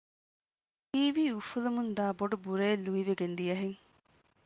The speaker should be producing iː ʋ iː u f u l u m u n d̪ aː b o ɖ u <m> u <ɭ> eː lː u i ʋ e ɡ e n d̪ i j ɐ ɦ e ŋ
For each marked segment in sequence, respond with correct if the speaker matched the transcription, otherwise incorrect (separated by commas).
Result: incorrect, incorrect